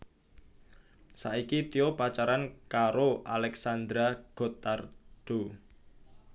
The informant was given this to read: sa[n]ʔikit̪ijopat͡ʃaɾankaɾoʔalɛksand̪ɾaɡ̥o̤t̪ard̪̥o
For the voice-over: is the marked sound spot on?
no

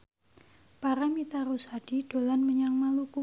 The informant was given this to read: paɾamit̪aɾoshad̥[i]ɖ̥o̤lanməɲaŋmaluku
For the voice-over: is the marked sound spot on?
yes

